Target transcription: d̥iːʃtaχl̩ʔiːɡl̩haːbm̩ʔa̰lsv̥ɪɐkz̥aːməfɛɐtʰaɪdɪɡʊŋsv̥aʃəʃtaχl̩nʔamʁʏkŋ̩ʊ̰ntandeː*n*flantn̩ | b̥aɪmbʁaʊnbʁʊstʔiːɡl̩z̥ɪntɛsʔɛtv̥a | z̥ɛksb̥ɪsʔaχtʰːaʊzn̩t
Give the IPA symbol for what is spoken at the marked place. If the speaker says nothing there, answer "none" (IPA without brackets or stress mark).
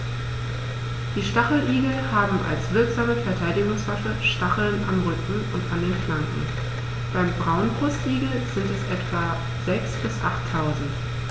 n